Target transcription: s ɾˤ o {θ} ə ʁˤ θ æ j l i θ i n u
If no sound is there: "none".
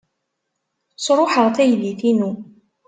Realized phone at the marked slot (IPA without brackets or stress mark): ħ